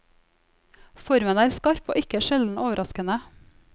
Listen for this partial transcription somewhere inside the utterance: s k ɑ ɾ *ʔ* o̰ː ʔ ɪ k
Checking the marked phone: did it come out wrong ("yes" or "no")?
yes